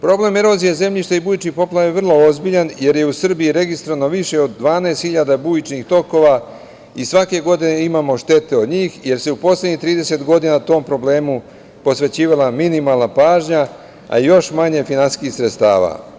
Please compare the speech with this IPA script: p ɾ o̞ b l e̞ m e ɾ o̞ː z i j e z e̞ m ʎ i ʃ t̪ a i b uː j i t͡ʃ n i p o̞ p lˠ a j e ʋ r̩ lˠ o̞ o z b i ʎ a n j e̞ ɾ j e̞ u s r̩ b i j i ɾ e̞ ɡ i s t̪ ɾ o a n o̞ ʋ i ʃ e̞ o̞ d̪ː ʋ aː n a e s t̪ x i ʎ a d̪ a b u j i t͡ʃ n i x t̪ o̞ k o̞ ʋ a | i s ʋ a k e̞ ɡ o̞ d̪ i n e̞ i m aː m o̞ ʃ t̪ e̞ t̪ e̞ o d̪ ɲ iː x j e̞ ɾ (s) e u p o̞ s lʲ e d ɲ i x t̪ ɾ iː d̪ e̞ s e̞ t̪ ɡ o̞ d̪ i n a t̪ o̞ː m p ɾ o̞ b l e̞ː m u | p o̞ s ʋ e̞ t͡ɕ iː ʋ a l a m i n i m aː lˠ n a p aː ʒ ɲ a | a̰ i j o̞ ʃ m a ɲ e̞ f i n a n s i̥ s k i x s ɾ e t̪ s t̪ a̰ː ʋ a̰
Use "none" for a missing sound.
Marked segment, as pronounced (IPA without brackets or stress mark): s